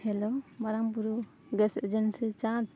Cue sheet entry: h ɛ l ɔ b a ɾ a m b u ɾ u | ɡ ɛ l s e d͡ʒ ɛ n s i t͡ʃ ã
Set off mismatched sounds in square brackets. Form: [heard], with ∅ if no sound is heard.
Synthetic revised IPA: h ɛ l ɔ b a ɾ a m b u ɾ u | ɡ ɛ [∅] s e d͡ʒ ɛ n s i t͡ʃ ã

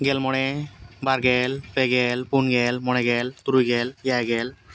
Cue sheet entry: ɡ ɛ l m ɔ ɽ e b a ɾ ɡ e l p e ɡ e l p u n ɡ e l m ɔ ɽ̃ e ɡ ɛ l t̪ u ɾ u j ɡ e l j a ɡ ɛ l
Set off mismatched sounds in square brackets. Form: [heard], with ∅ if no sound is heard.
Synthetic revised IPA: ɡ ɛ l m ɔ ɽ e b a ɾ ɡ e l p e ɡ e l p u n ɡ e l m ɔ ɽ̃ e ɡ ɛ l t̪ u ɾ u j ɡ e l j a ɡ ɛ l

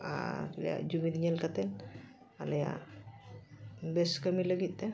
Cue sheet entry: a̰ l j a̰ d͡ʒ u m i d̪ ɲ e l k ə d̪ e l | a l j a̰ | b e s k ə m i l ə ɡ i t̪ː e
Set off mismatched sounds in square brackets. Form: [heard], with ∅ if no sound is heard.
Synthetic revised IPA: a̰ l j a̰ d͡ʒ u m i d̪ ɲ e l k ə [t̪] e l | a l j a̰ | b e s k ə m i l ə ɡ i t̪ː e

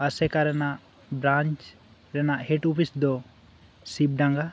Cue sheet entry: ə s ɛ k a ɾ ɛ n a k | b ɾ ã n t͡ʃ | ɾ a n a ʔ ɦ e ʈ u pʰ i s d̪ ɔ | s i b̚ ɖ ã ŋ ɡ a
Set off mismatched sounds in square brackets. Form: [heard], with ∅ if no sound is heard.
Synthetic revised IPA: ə s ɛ k a ɾ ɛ n a [ʔ] | b ɾ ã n t͡ʃ | ɾ [ɛ] n a ʔ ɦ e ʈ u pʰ i s d̪ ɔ | s i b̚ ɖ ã ŋ ɡ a

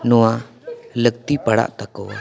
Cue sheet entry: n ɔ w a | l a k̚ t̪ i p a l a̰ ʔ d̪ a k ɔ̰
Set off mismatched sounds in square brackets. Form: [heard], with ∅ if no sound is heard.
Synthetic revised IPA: n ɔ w a | l [ə] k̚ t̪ i p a [ɽ] a̰ ʔ [t̪] a k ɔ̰

